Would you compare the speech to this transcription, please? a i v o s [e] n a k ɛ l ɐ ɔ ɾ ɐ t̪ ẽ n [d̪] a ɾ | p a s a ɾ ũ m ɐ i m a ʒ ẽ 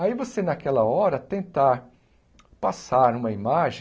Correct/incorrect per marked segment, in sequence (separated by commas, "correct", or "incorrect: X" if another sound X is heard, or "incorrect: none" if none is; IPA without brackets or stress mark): correct, incorrect: t̪